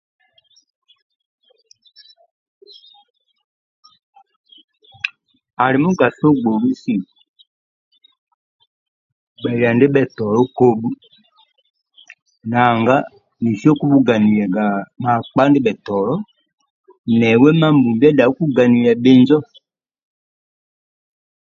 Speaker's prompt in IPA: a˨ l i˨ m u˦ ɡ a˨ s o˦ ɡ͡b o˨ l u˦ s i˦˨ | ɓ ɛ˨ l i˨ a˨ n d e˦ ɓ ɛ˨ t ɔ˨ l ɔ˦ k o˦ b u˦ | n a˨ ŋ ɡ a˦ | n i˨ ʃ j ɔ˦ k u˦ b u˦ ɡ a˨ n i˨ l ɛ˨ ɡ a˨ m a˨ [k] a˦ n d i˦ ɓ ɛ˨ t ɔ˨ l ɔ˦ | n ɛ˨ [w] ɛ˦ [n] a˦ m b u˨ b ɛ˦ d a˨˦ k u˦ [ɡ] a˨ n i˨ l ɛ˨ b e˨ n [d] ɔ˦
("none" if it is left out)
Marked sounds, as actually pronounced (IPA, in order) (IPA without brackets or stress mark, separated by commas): k͡p, w, m, ɡ, d͡ʒ